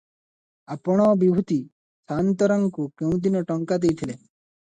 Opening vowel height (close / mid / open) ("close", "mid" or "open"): open